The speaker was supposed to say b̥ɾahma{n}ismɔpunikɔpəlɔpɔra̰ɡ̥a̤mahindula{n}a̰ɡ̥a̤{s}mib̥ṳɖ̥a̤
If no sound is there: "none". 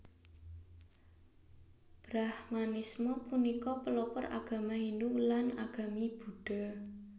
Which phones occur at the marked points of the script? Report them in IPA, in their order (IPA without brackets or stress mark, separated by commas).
n, n, none